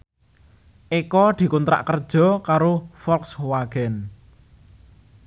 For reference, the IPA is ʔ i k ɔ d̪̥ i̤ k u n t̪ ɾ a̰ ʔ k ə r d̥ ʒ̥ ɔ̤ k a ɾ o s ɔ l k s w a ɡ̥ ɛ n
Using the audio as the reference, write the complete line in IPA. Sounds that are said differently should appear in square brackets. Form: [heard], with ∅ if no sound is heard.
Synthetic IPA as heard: ʔ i k ɔ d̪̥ i̤ k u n t̪ ɾ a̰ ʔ k ə r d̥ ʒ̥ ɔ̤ k a ɾ o [f] ɔ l k s w a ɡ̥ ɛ n